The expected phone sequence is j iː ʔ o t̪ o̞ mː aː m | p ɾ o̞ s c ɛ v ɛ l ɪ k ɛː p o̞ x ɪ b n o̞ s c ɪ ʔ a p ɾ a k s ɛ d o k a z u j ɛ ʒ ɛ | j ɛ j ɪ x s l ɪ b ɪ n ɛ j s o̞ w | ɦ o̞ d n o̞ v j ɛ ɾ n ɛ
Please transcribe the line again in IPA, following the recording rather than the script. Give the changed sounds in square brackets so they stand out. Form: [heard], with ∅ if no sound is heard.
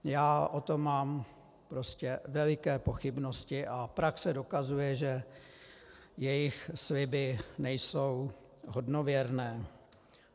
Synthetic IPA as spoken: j [aː] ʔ o t̪ o̞ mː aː m | p ɾ o̞ s c ɛ v ɛ l ɪ k ɛː p o̞ x ɪ b n o̞ s c ɪ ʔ a p ɾ a k s ɛ d o k a z u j ɛ ʒ ɛ | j ɛ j ɪ x s l ɪ b ɪ n ɛ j s o̞ w | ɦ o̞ d n o̞ v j ɛ ɾ n [ɛː]